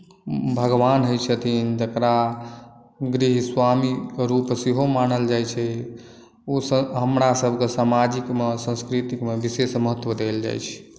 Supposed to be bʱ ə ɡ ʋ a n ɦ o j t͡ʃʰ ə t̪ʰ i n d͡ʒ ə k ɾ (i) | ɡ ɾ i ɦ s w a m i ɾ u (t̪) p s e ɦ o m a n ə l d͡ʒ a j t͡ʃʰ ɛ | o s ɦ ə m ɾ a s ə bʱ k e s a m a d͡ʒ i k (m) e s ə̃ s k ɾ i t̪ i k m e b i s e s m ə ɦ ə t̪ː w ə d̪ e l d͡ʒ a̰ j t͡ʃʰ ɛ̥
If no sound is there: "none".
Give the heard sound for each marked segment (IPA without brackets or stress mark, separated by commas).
a, none, m